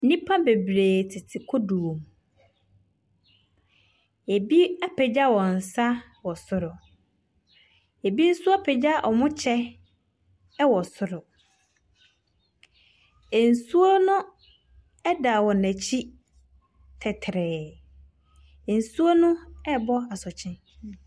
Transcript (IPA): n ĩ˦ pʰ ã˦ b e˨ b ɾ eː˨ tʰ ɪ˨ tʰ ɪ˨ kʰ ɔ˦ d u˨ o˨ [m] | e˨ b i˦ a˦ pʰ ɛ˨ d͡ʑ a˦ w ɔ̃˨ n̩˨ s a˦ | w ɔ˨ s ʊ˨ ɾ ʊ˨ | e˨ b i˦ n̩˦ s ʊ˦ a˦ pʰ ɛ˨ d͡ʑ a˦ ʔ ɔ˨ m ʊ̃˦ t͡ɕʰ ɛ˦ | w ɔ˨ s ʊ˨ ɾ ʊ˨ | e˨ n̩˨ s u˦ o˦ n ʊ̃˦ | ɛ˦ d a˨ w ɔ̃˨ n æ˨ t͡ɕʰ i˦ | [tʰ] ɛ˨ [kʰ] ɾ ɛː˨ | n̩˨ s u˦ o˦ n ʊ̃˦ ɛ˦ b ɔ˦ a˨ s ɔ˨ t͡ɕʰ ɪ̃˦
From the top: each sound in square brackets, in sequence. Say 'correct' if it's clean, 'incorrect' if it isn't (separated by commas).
correct, correct, incorrect